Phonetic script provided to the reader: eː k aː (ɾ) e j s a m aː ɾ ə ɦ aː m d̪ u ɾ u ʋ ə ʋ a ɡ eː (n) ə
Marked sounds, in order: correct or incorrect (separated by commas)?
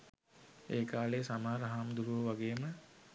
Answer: incorrect, incorrect